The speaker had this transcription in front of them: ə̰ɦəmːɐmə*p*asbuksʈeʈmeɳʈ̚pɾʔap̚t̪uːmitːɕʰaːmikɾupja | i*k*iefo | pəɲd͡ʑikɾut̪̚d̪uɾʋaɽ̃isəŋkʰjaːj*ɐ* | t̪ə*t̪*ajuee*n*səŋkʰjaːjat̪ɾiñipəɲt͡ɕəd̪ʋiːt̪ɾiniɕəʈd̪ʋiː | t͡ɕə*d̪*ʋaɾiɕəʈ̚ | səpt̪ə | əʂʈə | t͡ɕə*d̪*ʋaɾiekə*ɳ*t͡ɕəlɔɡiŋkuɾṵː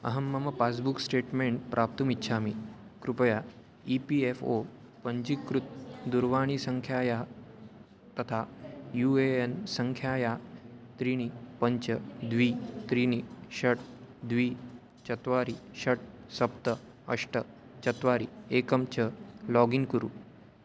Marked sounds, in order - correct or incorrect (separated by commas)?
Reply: correct, incorrect, incorrect, incorrect, correct, incorrect, incorrect, incorrect